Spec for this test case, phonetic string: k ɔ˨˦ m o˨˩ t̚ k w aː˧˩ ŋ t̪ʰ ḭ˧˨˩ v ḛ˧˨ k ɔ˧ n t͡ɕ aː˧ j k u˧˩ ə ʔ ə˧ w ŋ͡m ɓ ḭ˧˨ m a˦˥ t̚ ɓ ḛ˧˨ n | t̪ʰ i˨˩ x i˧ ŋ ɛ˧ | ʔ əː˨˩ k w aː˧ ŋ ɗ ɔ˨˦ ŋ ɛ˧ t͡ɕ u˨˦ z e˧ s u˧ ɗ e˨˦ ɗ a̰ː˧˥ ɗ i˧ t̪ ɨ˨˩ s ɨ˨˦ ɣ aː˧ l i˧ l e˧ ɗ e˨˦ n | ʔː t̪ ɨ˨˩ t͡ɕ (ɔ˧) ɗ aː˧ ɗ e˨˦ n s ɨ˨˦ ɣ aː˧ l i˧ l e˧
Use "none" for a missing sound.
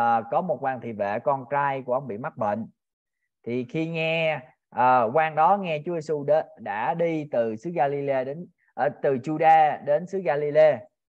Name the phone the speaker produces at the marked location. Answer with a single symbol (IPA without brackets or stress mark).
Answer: u˧